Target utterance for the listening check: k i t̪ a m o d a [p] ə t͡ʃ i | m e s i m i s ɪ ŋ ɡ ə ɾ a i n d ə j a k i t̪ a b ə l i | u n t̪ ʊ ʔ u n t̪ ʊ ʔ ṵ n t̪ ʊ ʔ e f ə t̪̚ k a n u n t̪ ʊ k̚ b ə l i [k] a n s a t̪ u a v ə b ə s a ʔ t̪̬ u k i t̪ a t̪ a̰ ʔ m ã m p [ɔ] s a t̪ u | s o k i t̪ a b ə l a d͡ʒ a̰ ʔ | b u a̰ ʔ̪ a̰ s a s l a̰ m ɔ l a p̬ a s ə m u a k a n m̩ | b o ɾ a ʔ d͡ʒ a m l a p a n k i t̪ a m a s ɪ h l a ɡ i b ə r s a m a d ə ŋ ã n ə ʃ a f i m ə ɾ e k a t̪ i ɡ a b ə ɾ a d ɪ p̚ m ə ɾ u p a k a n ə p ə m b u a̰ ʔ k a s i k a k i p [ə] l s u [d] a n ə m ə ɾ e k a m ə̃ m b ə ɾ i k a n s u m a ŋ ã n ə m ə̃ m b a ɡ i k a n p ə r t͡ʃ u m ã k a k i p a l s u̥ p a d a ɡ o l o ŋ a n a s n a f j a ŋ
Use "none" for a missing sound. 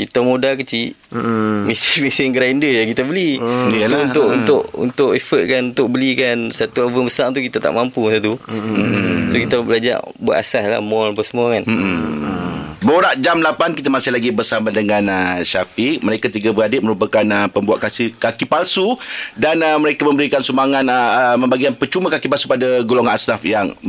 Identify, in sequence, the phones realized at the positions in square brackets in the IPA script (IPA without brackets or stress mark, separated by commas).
k, k, u, a, d